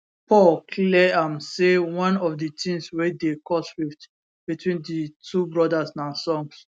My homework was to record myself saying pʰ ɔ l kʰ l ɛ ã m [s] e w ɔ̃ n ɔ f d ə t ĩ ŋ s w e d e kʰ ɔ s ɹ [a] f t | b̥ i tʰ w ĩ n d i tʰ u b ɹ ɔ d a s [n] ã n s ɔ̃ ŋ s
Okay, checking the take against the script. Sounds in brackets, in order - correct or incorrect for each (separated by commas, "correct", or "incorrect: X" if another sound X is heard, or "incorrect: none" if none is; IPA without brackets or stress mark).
correct, incorrect: i, correct